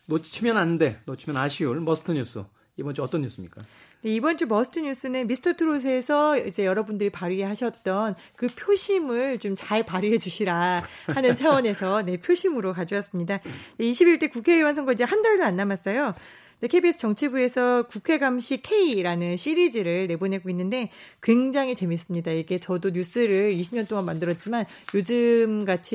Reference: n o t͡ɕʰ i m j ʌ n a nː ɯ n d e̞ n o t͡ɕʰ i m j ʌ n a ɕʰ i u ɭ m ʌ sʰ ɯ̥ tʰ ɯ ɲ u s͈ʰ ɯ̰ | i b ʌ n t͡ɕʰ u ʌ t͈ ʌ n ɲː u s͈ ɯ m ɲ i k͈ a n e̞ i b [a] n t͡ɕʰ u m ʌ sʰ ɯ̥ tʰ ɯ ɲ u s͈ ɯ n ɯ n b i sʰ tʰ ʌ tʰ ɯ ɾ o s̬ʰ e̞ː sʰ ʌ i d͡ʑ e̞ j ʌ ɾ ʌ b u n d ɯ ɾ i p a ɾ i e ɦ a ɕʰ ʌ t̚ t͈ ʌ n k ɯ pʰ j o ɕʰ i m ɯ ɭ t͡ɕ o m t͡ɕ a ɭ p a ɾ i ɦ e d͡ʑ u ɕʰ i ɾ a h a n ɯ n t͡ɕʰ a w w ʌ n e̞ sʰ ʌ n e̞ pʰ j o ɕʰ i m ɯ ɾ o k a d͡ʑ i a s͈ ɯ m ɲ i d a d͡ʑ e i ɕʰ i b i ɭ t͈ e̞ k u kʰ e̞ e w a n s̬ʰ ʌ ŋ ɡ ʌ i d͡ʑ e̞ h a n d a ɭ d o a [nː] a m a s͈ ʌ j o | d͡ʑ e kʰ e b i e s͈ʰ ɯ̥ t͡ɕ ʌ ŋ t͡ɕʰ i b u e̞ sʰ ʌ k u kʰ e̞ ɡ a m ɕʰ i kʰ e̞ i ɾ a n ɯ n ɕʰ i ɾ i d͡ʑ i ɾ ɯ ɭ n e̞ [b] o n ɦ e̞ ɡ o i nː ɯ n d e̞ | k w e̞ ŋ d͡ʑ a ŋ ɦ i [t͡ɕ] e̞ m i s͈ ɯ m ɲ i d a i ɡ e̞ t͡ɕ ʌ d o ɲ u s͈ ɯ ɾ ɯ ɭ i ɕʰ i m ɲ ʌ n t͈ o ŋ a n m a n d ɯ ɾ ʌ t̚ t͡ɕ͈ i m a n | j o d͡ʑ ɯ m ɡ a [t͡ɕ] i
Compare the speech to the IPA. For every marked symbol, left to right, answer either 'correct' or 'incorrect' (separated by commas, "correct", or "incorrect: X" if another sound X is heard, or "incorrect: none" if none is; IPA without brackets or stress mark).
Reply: incorrect: ʌ, correct, correct, correct, incorrect: t͡ɕʰ